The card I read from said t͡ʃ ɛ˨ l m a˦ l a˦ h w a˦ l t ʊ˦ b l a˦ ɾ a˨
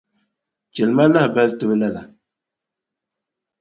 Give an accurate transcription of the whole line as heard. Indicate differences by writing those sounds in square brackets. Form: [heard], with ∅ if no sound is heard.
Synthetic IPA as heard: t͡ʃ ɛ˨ l m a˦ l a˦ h [b] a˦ l t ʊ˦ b l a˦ [l] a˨